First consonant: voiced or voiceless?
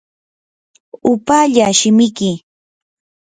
voiceless